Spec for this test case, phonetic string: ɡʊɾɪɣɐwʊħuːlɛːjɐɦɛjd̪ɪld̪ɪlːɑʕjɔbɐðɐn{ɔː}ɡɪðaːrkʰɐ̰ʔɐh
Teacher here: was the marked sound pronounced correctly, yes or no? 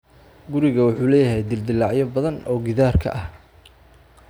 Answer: yes